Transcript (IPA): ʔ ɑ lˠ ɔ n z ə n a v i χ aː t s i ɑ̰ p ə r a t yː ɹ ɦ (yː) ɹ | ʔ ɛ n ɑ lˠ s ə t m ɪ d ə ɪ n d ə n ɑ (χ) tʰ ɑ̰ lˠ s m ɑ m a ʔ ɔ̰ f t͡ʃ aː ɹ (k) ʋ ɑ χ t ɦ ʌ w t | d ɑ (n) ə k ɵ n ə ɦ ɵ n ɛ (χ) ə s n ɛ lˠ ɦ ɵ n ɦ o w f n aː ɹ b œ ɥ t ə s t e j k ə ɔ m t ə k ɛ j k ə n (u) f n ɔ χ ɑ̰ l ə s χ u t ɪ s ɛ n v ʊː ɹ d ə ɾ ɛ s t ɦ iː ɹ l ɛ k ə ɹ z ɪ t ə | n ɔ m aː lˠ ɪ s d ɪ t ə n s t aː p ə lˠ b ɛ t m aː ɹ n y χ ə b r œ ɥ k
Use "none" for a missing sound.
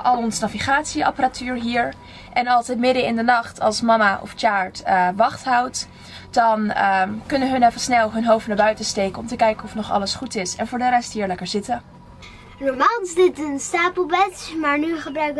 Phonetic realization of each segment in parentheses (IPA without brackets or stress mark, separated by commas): iː, χ, t, n, f, ɔ